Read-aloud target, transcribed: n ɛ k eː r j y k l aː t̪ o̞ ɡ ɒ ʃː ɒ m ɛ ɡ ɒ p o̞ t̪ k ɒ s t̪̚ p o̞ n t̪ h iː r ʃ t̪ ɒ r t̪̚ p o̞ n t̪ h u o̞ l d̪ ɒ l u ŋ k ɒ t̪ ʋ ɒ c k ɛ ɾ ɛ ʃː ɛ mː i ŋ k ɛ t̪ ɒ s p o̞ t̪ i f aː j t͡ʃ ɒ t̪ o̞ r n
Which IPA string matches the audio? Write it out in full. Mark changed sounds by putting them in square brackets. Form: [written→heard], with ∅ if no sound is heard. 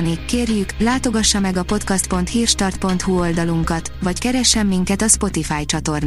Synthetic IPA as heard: n [ɛ→i] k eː r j y k l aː t̪ o̞ ɡ ɒ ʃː ɒ m ɛ ɡ ɒ p o̞ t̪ k ɒ s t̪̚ p o̞ n t̪ h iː r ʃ t̪ ɒ r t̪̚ p o̞ n t̪ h u o̞ l d̪ ɒ l u ŋ k ɒ t̪ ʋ ɒ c k ɛ ɾ ɛ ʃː ɛ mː i ŋ k ɛ t̪ ɒ s p o̞ t̪ i f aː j t͡ʃ ɒ t̪ o̞ r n